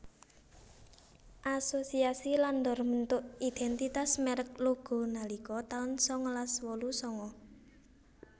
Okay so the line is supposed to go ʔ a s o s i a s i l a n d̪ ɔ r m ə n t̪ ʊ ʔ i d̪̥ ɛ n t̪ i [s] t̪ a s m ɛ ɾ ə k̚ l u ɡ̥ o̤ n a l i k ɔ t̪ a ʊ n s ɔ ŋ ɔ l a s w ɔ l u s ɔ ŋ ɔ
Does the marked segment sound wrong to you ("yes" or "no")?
yes